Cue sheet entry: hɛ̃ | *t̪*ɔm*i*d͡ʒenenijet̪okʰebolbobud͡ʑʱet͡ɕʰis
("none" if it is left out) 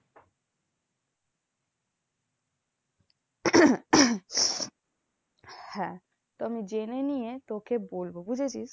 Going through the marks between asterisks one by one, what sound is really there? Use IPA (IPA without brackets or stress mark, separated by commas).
t̪, i